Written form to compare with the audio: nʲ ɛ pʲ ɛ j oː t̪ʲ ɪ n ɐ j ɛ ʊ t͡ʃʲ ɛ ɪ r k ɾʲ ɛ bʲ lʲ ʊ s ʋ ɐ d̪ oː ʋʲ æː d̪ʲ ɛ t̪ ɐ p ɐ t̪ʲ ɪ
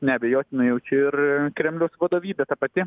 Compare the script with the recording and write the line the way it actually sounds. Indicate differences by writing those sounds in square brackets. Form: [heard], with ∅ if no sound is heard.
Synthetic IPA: nʲ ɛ [bʲ] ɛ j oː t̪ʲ ɪ n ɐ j ɛ ʊ t͡ʃʲ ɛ ɪ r k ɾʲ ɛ [mʲ] lʲ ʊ s ʋ ɐ d̪ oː ʋʲ [iː] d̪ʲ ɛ t̪ ɐ p ɐ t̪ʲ ɪ